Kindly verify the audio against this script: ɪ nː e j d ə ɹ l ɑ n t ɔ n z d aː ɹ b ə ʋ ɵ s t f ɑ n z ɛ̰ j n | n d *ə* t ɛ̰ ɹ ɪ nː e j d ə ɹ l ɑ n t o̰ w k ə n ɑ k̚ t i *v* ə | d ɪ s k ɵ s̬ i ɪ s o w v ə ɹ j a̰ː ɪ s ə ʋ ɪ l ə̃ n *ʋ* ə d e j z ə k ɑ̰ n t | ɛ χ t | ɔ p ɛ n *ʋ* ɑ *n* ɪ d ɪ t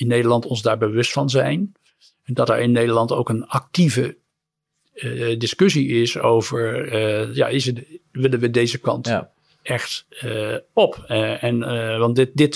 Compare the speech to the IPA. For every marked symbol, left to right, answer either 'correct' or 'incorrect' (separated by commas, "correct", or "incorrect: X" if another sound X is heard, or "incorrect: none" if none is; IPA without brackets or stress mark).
incorrect: ɑ, correct, correct, correct, correct